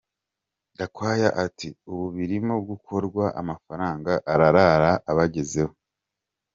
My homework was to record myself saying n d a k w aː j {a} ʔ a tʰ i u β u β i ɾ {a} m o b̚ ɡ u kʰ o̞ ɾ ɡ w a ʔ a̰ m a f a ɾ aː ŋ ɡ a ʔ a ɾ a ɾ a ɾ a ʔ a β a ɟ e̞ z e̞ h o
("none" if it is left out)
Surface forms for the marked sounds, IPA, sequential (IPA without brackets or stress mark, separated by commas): a, i